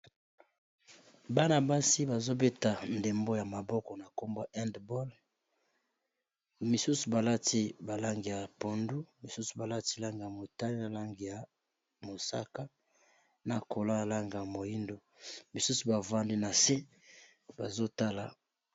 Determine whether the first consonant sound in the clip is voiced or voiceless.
voiced